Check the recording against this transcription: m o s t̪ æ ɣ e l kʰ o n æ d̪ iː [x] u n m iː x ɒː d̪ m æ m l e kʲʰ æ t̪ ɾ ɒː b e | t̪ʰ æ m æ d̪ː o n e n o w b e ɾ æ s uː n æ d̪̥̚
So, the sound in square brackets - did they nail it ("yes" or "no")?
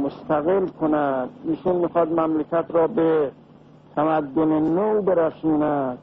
no